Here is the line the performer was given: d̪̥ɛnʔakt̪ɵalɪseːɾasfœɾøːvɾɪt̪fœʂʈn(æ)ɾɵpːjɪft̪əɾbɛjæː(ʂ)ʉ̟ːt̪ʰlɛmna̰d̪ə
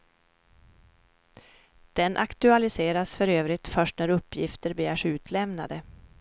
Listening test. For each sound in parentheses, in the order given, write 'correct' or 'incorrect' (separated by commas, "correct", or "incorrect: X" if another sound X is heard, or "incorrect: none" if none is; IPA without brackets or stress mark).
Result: correct, correct